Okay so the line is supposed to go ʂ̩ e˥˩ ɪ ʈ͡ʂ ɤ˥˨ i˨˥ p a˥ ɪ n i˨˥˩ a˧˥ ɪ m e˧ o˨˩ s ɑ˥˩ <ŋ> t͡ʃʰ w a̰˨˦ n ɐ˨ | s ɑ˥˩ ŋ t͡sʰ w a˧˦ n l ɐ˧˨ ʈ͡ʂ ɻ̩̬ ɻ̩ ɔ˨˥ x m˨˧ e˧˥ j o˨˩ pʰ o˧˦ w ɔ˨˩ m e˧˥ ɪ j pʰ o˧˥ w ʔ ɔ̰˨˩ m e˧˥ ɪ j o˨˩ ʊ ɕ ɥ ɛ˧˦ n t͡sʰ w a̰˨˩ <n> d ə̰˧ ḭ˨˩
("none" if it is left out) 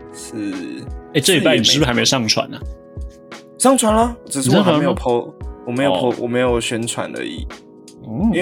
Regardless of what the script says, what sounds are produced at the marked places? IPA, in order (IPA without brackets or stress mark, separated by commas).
ŋ, n